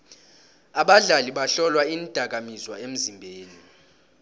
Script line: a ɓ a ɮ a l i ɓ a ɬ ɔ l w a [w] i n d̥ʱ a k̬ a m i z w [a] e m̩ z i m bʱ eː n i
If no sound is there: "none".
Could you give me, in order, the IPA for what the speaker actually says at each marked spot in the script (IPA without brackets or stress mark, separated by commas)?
none, a